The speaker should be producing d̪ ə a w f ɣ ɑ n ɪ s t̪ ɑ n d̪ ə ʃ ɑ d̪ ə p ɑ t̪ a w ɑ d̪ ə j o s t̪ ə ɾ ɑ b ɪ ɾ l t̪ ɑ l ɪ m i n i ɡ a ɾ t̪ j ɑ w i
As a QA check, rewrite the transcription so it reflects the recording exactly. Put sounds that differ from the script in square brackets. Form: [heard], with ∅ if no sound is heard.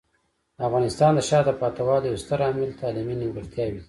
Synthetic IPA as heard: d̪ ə a [∅] f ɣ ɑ n ɪ s t̪ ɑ n d̪ ə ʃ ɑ d̪ ə p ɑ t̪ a w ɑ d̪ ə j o s t̪ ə ɾ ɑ [m] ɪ [∅] l t̪ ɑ l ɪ m i n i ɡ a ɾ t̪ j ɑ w i